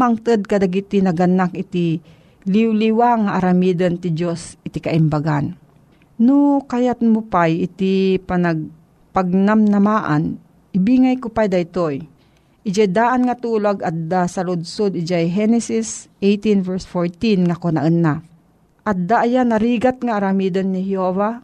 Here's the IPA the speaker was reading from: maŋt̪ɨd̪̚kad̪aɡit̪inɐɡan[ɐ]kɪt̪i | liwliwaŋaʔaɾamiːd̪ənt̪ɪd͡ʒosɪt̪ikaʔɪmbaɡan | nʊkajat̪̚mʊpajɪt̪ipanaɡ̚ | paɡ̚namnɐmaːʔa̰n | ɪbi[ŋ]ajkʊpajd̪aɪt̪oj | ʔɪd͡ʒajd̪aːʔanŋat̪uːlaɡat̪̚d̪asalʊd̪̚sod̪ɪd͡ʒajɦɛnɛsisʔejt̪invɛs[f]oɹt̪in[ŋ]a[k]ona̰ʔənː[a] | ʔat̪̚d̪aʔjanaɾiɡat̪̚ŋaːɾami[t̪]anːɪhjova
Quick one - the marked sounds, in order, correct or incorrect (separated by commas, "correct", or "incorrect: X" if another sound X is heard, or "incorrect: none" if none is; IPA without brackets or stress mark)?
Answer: incorrect: a, correct, correct, correct, correct, correct, incorrect: d̪